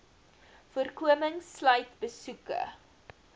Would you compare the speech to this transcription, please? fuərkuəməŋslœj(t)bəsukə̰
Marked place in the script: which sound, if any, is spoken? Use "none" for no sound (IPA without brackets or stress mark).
t